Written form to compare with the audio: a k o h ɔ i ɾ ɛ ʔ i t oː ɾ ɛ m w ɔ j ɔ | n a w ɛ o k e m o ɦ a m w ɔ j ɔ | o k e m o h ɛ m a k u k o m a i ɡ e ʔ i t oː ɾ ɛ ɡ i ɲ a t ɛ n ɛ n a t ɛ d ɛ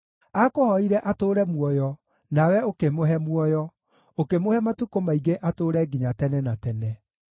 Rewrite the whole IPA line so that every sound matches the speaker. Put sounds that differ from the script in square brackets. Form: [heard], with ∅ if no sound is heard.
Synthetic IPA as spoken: a k o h ɔ i ɾ ɛ ʔ [a] t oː ɾ ɛ m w ɔ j ɔ | n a w ɛ o k e m o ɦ [ɛ] m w ɔ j ɔ | o k e m o h ɛ m a [t] u k o m a i ɡ e ʔ [a] t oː ɾ ɛ ɡ i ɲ a t ɛ n ɛ n a t ɛ [n] ɛ